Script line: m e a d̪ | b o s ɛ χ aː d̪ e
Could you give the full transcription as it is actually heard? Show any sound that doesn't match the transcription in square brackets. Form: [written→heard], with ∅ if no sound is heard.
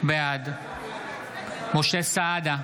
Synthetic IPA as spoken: [m→b] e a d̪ | [b→m] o [s→ʃ] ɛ [χ→s] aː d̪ [e→a]